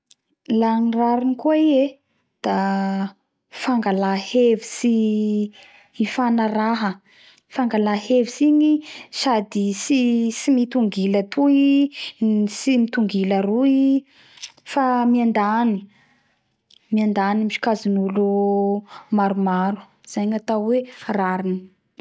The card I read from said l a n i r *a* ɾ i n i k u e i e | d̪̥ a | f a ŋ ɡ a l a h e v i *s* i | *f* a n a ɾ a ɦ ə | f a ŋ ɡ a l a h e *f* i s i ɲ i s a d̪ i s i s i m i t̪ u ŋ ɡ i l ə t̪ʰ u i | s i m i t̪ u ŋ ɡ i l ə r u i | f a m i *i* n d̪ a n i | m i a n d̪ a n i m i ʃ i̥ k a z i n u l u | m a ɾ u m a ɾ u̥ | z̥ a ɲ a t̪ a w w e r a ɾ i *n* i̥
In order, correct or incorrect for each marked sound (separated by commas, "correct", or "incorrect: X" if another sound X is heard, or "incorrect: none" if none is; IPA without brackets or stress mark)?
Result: correct, correct, correct, incorrect: v, incorrect: a, correct